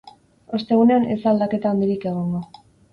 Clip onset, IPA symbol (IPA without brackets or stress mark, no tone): o̞